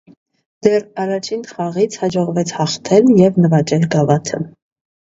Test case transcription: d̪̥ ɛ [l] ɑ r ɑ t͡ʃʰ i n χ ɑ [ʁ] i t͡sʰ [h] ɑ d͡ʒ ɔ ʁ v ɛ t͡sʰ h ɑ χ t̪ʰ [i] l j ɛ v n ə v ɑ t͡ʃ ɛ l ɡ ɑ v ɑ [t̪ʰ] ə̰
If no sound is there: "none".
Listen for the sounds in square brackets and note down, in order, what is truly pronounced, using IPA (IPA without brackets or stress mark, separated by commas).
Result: r, ʁ, h, ɛ, t̪ʰ